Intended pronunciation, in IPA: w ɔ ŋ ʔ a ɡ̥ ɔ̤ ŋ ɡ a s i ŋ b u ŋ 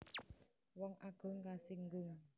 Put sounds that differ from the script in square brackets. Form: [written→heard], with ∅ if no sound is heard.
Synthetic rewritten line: w ɔ ŋ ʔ a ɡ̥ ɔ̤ ŋ [ɡ→k] a s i ŋ [b→ɡ] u ŋ

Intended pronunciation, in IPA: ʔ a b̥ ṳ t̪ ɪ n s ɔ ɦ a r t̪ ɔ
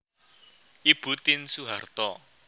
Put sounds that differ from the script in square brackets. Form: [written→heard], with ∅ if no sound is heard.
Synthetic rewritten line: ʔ [a→i] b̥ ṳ t̪ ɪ n s [ɔ→u] ɦ a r t̪ ɔ

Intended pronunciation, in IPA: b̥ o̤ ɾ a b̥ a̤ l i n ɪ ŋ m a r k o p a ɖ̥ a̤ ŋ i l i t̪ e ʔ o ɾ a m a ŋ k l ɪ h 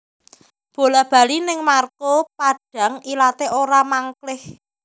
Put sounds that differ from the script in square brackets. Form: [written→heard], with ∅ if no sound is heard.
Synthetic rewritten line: b̥ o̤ [ɾ→l] a b̥ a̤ l i n ɪ ŋ m a r k o p a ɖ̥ a̤ ŋ i l [i→a] t̪ e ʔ o ɾ a m a ŋ k l ɪ h

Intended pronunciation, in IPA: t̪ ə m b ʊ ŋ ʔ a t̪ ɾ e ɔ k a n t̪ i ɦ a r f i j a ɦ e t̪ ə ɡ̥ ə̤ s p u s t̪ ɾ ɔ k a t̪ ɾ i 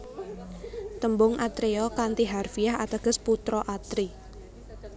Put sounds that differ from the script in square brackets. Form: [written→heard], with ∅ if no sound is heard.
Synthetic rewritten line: t̪ ə m b ʊ ŋ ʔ a t̪ ɾ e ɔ k a n t̪ i ɦ a r f i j a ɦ [e→a] t̪ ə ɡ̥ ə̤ s p u [s→∅] t̪ ɾ ɔ [k→ʔ] a t̪ ɾ i

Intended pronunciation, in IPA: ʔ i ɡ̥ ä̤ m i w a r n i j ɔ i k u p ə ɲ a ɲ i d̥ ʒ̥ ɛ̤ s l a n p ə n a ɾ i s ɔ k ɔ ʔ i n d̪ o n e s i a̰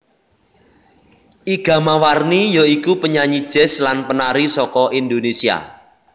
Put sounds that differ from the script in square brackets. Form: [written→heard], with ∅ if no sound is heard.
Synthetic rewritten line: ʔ i ɡ̥ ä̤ m [i→a] w a r n i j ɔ i k u p ə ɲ a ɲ i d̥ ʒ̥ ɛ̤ s l a n p ə n a ɾ i s ɔ k ɔ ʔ i n d̪ o n e s i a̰

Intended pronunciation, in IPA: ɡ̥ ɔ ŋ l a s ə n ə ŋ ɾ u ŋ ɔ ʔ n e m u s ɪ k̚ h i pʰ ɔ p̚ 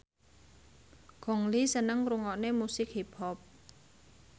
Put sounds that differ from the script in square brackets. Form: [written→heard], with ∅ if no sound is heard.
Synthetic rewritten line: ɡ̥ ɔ ŋ l [a→i] s ə n ə ŋ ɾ u ŋ ɔ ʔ n e m u s ɪ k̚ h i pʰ ɔ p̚

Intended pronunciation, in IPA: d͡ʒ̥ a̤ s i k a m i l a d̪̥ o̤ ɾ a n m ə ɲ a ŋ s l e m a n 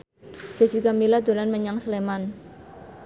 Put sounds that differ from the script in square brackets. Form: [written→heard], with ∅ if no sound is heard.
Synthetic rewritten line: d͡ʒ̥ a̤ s i k a m i l a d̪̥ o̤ [ɾ→l] a n m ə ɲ a ŋ s l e m a n

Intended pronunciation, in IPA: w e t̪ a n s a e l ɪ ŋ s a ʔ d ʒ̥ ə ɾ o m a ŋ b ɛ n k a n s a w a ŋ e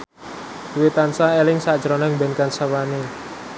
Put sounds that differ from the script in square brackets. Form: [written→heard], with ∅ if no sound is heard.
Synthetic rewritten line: w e t̪ a n s a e l ɪ ŋ s a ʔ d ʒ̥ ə ɾ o [m→n] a ŋ b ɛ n k a n s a w a [ŋ→n] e

